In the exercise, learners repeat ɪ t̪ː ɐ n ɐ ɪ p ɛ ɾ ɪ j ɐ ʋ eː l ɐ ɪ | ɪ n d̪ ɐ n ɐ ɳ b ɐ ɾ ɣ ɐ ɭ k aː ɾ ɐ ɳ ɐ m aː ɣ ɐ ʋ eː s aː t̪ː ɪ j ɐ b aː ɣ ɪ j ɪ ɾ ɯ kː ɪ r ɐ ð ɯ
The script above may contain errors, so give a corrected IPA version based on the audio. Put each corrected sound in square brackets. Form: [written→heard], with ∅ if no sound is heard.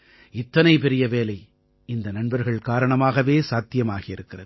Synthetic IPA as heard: ɪ t̪ː ɐ n ɐ ɪ p ɛ ɾ ɪ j ɐ ʋ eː l ɐ ɪ | ɪ n d̪ ɐ n ɐ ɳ b ɐ ɾ ɣ ɐ ɭ k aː ɾ ɐ ɳ ɐ m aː ɣ ɐ ʋ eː s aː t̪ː ɪ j ɐ [b→m] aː ɣ ɪ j ɪ ɾ ɯ kː ɪ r ɐ ð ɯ